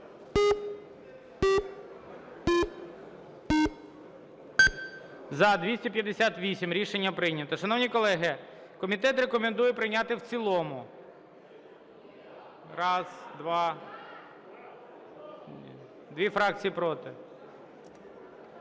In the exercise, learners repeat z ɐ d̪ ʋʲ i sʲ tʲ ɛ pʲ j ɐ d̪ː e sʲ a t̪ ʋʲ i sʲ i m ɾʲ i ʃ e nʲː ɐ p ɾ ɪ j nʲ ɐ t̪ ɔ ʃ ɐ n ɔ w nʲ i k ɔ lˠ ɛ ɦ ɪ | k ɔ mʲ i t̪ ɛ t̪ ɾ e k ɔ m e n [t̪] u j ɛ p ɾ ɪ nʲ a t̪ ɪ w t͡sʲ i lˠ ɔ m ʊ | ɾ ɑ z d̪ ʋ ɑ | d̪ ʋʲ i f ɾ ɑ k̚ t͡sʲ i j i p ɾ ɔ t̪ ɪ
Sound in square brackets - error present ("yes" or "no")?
yes